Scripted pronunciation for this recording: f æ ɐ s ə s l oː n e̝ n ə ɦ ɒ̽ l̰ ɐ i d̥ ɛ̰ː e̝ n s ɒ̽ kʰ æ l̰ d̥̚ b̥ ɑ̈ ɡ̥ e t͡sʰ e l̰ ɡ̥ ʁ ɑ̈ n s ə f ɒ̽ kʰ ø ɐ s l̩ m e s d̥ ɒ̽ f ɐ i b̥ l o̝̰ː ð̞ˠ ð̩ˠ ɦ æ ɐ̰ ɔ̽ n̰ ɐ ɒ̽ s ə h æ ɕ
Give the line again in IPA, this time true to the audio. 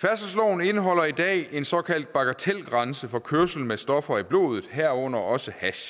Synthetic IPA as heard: f æ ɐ s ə s l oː n e̝ n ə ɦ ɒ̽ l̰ ɐ i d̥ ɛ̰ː e̝ n s ɒ̽ kʰ æ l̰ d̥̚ b̥ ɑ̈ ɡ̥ æ t͡sʰ e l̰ ɡ̥ ʁ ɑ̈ n s ə f ɒ̽ kʰ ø ɐ s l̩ m e s d̥ ɒ̽ f ɐ i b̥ l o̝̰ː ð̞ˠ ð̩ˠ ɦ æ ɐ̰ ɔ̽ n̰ ɐ ɒ̽ s ə h æ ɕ